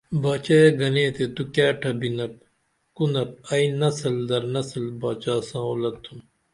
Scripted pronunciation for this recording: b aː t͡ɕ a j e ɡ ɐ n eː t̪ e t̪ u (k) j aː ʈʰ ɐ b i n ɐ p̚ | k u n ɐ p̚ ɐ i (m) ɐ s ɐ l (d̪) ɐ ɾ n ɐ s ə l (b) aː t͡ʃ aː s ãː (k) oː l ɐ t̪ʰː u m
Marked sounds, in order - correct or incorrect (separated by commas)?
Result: correct, incorrect, correct, correct, incorrect